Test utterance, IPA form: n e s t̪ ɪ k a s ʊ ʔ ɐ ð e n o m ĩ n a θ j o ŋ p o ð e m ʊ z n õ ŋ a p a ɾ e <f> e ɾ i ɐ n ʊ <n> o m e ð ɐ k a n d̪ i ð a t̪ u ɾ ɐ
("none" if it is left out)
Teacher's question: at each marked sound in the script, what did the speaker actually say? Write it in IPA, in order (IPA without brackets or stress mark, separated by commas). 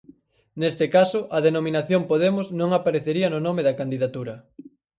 θ, n